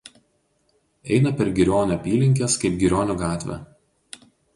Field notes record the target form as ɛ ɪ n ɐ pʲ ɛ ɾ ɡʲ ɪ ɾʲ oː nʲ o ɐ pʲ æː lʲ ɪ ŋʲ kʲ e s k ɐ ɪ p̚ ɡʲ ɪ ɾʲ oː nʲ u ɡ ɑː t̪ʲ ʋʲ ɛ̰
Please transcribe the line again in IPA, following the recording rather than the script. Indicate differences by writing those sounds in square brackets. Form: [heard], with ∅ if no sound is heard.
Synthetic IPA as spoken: ɛ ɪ n ɐ pʲ ɛ ɾ ɡʲ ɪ ɾʲ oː nʲ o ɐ pʲ [iː] lʲ ɪ ŋʲ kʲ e s k ɐ ɪ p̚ ɡʲ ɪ ɾʲ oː nʲ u ɡ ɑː t̪ʲ ʋʲ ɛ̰

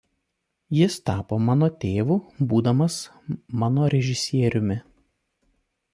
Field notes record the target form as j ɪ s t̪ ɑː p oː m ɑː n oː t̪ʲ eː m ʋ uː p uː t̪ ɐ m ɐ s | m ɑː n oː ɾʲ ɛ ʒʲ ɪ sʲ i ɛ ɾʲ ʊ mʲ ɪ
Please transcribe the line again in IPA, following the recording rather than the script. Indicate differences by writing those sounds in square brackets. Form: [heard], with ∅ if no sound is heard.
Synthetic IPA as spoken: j ɪ s t̪ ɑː p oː m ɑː n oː t̪ʲ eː [∅] ʋ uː [b] uː [d̪] ɐ m ɐ s | m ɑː n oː ɾʲ ɛ ʒʲ ɪ sʲ i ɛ ɾʲ ʊ mʲ ɪ

